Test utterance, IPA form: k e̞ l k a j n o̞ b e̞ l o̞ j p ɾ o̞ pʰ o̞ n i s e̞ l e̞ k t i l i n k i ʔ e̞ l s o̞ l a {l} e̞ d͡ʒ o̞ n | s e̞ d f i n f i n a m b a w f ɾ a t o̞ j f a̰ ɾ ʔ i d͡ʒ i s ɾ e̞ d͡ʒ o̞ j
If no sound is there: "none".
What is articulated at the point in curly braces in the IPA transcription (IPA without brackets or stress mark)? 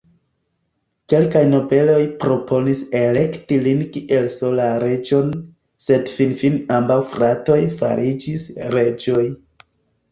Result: ɾ